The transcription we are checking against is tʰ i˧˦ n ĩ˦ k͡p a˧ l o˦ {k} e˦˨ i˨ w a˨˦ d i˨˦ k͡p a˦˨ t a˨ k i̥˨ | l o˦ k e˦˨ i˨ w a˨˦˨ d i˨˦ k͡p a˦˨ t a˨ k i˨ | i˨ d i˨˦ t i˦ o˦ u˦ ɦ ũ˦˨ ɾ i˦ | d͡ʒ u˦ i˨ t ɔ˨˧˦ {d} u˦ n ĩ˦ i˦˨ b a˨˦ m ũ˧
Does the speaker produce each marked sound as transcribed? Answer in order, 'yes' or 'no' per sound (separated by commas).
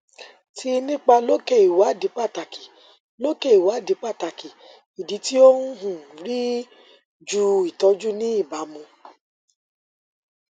yes, no